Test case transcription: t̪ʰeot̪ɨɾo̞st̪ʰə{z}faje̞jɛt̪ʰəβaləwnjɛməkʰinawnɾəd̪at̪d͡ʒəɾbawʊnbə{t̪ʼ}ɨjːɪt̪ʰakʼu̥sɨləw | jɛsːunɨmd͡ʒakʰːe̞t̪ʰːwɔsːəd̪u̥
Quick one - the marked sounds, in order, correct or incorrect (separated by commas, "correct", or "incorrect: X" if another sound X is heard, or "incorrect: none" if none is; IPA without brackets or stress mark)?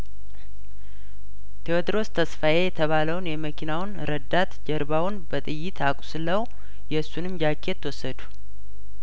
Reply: incorrect: s, correct